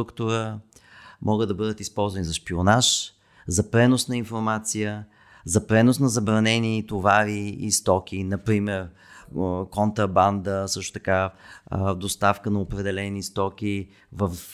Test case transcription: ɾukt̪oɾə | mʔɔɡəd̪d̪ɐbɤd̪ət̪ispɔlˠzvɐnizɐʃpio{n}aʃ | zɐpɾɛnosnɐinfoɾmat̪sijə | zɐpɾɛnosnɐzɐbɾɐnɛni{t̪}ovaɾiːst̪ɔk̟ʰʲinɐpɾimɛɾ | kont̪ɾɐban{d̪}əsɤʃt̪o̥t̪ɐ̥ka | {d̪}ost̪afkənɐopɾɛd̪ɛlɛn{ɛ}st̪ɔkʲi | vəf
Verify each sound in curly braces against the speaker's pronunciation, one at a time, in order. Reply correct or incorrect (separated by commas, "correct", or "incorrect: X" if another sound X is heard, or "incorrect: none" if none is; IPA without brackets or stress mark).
correct, correct, correct, correct, incorrect: i